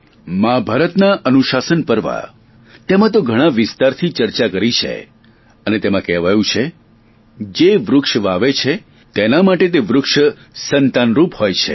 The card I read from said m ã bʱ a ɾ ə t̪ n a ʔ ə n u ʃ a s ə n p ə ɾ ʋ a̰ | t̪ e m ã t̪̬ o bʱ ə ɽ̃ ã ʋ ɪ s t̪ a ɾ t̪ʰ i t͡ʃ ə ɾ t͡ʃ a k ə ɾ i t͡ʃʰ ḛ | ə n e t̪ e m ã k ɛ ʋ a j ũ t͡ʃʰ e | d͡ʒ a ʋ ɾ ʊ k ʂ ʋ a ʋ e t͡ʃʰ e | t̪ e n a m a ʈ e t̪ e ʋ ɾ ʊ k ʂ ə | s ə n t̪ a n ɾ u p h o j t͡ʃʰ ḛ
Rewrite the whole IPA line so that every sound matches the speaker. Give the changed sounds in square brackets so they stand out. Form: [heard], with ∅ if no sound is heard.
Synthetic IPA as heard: m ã bʱ a ɾ ə t̪ n a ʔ ə n u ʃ a s ə n p ə ɾ ʋ a̰ | t̪ e m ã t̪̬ o [ɡʱ] ə ɽ̃ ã ʋ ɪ s t̪ a ɾ t̪ʰ i t͡ʃ ə ɾ t͡ʃ a k ə ɾ i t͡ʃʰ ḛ | ə n e t̪ e m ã k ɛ ʋ a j ũ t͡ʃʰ e | d͡ʒ [e] ʋ ɾ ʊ k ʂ ʋ a ʋ e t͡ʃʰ e | t̪ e n a m a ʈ e t̪ e ʋ ɾ ʊ k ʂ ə | s ə n t̪ a n ɾ u p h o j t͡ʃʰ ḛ